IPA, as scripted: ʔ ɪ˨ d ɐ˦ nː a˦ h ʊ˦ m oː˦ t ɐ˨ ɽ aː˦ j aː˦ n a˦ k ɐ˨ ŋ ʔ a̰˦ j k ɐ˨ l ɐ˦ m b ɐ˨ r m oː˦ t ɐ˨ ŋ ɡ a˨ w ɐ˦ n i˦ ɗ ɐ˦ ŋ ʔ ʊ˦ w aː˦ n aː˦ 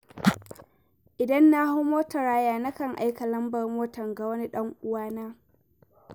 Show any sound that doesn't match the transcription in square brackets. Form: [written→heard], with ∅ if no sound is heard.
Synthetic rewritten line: ʔ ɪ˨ d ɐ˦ nː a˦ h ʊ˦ m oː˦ t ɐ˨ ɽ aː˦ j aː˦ n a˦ k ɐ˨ ŋ ʔ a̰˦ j k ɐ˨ l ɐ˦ m b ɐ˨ r m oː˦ t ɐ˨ ŋ ɡ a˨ w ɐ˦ n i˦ ɗ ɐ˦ ŋ ʔ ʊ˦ w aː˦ n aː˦